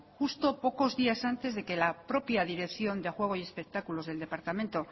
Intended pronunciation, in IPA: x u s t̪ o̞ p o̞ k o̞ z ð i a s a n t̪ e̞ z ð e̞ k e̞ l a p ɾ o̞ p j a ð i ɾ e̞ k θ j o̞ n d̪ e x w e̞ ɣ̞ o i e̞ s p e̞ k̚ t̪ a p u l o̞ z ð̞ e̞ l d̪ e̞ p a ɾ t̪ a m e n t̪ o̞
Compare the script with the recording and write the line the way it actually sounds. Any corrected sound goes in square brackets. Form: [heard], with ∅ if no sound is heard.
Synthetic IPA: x u s t̪ o̞ p o̞ k o̞ z ð i a s a n t̪ e̞ z ð e̞ k e̞ l a p ɾ o̞ p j a ð i ɾ e̞ k θ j o̞ n d̪ e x w e̞ ɣ̞ o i e̞ s p e̞ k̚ t̪ a [k] u l o̞ z ð̞ e̞ l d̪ e̞ p a ɾ t̪ a m e n t̪ o̞